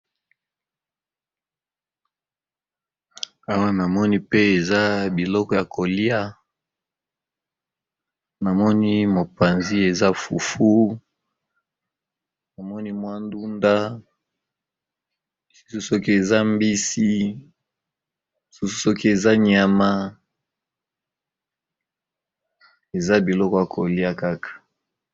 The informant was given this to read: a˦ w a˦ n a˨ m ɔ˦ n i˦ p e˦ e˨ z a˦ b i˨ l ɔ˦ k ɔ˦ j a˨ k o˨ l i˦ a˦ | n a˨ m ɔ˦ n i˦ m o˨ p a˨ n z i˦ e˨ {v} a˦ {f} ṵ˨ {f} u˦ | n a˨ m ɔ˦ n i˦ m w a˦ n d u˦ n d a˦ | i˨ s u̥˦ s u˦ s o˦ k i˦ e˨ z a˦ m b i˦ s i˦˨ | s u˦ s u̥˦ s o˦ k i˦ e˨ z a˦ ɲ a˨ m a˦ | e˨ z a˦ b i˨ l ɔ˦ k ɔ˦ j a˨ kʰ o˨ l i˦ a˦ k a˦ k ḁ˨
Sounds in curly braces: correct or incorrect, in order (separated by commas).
incorrect, correct, correct